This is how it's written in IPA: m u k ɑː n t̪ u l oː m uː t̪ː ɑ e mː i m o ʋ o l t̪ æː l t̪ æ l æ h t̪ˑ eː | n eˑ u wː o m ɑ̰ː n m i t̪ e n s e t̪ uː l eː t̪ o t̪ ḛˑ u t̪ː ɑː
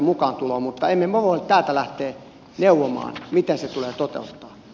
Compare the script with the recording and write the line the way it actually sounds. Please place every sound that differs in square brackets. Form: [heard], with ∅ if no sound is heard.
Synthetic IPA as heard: m u k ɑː n t̪ u l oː m [u] t̪ː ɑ e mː [e] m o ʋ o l t̪ æː l t̪ æ l æ h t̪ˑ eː | n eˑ u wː o m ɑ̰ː n m i t̪ e n s e t̪ [u] l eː t̪ o t̪ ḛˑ u t̪ː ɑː